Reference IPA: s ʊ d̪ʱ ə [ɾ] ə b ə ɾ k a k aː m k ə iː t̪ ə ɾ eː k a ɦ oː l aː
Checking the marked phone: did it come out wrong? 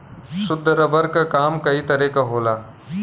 no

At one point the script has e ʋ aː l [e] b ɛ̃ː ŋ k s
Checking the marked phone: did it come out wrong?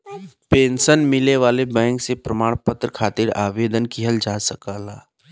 no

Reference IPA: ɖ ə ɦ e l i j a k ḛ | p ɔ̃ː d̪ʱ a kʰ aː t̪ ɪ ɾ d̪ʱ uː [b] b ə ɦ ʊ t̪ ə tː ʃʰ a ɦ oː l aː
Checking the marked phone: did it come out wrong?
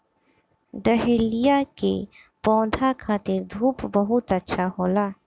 yes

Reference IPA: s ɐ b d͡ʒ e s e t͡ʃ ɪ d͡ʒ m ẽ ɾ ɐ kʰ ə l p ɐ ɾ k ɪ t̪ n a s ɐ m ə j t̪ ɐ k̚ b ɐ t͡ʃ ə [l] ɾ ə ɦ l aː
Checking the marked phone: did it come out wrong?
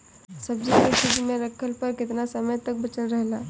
no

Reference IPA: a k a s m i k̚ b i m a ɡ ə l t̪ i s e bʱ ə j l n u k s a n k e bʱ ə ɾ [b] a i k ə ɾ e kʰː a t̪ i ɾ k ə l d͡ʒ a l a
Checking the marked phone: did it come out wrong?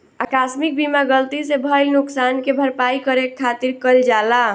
yes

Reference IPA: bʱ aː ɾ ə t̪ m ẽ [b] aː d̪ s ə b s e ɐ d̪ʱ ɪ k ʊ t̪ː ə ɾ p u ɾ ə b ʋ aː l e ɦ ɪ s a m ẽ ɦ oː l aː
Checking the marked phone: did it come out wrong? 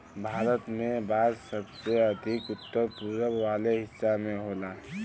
no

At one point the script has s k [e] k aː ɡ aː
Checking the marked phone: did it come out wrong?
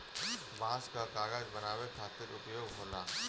yes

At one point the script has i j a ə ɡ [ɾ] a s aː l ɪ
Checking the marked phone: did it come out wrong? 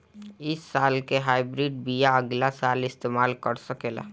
yes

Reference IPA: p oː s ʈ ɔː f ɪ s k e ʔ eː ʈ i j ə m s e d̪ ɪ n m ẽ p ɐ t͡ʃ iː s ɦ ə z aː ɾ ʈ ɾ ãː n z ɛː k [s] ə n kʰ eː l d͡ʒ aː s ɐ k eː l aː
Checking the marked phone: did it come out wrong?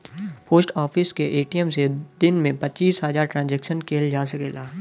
yes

